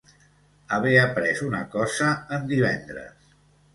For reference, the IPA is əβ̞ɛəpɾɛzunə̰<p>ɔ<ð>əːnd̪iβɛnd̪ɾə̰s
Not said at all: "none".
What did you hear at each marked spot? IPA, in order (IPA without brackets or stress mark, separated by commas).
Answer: k, z